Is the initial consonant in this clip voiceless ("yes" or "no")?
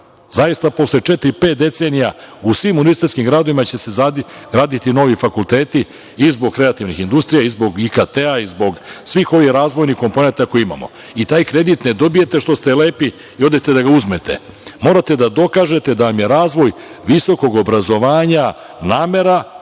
no